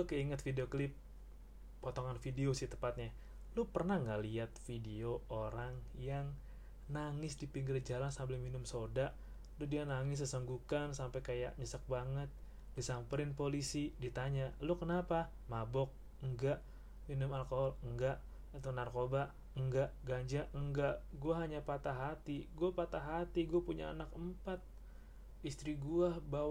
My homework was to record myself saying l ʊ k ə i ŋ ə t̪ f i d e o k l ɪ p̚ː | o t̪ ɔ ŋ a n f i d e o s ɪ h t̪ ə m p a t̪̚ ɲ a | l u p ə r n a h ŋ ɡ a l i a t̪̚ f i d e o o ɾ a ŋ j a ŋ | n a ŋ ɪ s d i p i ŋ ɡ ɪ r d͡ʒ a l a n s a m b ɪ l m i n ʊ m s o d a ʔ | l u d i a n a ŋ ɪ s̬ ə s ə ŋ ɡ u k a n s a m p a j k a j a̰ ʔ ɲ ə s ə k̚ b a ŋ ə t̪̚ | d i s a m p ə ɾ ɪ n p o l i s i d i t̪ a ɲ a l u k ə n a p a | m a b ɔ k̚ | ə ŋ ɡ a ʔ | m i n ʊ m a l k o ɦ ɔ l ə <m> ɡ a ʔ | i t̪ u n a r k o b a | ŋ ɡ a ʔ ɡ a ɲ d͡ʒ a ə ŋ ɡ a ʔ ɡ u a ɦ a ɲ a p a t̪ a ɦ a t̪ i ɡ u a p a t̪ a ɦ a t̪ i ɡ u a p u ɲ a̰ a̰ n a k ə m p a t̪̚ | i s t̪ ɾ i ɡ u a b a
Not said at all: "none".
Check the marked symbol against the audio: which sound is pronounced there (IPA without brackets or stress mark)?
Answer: ŋ